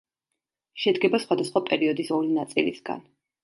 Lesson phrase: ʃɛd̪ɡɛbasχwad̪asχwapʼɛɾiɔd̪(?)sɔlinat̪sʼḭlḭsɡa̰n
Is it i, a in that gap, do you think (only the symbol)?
i